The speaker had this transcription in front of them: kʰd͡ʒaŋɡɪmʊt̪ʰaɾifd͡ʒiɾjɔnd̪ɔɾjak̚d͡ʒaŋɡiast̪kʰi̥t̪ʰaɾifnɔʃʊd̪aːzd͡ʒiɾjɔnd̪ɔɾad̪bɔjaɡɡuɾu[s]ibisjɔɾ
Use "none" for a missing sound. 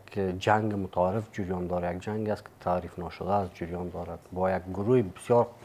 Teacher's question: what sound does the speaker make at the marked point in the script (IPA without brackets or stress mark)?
h